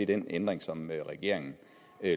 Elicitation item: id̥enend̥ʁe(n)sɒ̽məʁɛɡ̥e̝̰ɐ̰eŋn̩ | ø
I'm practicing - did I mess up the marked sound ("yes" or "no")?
yes